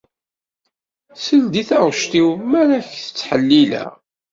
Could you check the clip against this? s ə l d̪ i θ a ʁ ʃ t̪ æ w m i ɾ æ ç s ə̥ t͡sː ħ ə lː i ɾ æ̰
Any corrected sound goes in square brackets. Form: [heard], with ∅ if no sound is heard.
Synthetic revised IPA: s ə l d̪ i θ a ʁ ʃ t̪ [i] w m [æ] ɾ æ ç [θ] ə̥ t͡sː ħ ə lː i [l] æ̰